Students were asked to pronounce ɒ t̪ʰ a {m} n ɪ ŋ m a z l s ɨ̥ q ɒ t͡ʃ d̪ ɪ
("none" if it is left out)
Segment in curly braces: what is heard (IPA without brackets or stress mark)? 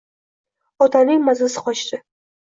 none